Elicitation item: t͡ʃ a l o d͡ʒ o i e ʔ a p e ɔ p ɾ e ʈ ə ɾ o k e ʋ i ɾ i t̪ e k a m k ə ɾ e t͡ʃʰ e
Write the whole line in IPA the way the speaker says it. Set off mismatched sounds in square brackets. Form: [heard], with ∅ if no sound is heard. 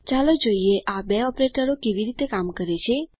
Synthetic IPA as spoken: t͡ʃ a l o d͡ʒ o i e ʔ a [b] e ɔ p ɾ e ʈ ə ɾ o k e ʋ i ɾ i t̪ e k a m k ə ɾ e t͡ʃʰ e